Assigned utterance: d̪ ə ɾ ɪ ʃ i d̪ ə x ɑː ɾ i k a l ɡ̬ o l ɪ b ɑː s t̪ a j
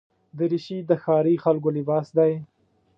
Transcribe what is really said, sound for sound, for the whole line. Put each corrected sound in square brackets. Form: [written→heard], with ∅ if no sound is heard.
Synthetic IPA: d̪ ə ɾ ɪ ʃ i d̪ ə x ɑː ɾ i [k→x] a l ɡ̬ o l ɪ b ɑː s [t̪→d̪] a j

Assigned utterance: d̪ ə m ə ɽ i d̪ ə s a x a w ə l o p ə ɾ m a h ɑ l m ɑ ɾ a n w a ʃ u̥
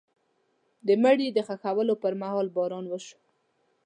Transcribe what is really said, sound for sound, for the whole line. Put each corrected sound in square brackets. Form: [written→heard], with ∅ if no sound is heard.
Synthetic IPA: d̪ ə m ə ɽ i d̪ ə [s→x] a x a w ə l o p ə ɾ m a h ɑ l [m→b] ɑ ɾ [a→ɑ] n w [a→ə] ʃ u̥

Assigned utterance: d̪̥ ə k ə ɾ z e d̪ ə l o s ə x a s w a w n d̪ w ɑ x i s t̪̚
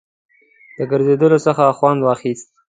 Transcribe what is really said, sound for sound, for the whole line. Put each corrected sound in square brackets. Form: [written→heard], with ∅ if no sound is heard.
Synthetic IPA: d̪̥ ə [k→ɡ] ə ɾ z e d̪ ə l o s ə x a [s→x] w a [w→∅] n d̪ w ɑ x i s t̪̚

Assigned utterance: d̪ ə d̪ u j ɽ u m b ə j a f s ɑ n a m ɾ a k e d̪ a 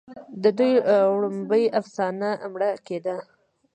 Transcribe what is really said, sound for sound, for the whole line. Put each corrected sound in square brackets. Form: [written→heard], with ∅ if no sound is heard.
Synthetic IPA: d̪ ə d̪ u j ɽ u m b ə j a f s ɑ n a m [ɾ→ɽ] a k e d̪ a

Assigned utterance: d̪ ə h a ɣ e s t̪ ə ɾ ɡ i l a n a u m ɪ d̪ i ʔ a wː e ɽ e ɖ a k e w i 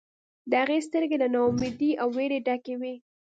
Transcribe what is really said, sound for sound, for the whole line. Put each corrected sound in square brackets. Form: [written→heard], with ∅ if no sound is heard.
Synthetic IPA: d̪ ə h a ɣ e s t̪ ə ɾ ɡ [i→e] l a n a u m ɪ d̪ i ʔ a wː e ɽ e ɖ a k e w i

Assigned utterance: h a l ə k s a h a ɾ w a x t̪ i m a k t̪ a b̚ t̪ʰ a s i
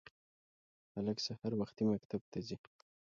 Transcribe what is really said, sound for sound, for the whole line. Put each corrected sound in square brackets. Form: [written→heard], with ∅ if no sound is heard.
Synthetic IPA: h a l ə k s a h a ɾ w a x t̪ i m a k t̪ a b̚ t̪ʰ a [s→z] i

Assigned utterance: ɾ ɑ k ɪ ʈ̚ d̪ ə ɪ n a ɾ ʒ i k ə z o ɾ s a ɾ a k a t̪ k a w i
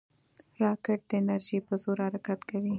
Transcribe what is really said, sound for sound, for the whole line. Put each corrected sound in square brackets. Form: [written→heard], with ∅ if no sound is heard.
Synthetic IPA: ɾ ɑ k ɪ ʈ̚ d̪ ə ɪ n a ɾ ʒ i [k→p] ə z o ɾ [s→h] a ɾ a k a t̪ k a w i

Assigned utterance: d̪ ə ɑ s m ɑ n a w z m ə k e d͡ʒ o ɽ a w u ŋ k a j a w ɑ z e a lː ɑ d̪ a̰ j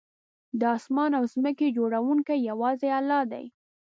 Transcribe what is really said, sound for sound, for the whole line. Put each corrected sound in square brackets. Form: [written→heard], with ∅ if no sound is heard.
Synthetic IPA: d̪ ə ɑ s m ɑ n a w z m ə k e d͡ʒ o ɽ a w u ŋ k a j a w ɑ z e a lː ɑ d̪ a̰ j

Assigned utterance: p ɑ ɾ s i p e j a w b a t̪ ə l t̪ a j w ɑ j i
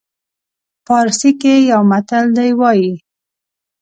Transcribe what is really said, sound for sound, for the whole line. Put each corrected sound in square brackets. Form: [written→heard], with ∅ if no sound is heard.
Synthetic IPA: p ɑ ɾ s i [p→k] e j a w [b→m] a t̪ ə l [t̪→d̪] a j w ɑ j i

